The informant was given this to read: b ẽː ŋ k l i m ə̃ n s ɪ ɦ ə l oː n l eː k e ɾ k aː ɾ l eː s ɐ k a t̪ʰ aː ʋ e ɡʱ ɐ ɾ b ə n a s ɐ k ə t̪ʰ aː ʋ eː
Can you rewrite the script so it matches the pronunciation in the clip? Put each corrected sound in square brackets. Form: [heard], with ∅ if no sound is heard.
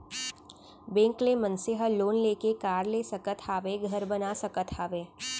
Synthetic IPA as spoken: b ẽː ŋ k l [e] m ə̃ n s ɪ ɦ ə l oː n l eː k e [∅] k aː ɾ l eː s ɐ k [ə] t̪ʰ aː ʋ e ɡʱ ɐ ɾ b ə n a s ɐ k ə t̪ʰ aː ʋ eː